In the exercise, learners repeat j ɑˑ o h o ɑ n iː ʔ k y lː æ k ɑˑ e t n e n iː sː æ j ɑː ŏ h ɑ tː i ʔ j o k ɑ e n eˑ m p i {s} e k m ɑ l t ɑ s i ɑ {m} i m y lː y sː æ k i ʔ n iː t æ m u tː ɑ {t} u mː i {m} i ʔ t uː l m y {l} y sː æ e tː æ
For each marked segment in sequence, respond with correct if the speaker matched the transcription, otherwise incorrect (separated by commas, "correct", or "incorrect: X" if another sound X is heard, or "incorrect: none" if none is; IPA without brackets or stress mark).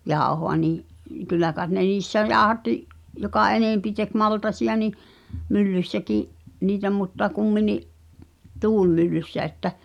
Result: incorrect: t, incorrect: n, incorrect: k, incorrect: n, incorrect: lː